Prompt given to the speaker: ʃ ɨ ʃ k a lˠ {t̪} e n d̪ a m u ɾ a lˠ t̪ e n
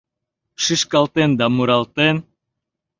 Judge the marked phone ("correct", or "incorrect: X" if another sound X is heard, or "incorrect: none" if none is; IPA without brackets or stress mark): correct